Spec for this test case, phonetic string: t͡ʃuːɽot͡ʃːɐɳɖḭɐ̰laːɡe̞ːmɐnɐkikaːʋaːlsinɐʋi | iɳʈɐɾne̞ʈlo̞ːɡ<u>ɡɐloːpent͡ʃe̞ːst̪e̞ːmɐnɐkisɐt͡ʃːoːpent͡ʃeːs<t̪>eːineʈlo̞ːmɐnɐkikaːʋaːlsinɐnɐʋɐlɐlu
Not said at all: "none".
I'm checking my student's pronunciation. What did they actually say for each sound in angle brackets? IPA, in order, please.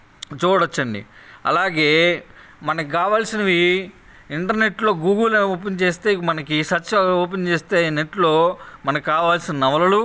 uː, t̪

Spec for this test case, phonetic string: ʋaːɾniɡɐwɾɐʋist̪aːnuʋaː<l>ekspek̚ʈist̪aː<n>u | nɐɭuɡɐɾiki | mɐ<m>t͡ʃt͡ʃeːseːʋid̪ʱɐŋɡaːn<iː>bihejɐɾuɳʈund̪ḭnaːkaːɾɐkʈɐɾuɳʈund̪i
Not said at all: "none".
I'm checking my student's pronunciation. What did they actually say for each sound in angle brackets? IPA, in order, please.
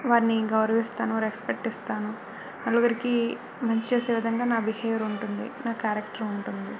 ɾ, n, ɲ, aː

